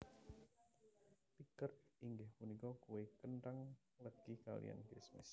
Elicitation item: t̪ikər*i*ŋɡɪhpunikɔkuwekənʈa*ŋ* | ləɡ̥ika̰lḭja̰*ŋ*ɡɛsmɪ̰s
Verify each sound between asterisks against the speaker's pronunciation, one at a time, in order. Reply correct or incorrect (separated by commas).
correct, correct, incorrect